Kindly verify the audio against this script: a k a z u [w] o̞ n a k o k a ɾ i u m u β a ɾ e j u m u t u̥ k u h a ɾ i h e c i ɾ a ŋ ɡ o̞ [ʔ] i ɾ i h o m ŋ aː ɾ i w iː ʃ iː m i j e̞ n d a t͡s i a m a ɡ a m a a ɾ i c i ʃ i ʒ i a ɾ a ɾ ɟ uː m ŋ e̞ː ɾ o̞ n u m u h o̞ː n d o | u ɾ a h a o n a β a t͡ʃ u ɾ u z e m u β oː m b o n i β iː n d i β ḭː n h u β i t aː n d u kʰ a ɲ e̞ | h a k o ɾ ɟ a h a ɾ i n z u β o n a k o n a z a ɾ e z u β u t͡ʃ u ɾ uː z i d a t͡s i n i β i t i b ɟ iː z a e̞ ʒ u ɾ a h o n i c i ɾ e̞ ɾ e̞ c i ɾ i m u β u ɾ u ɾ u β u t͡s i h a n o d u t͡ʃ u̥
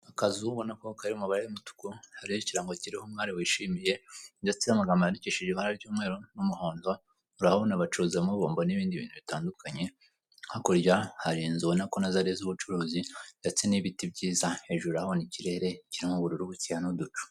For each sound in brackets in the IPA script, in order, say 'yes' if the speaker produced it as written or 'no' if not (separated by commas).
no, no